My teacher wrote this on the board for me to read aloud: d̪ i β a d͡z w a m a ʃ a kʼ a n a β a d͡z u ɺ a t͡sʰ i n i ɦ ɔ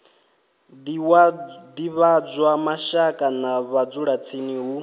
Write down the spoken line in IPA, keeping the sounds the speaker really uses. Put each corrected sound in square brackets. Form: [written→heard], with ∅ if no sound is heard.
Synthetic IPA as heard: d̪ i β a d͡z w a m a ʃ a kʼ a n a β a d͡z u ɺ a t͡sʰ i n i ɦ [ɔ→u]